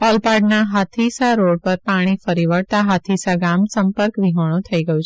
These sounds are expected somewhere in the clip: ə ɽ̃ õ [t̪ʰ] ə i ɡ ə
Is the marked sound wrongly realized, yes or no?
no